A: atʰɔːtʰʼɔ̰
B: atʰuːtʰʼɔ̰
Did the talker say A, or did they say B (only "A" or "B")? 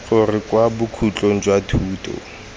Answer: B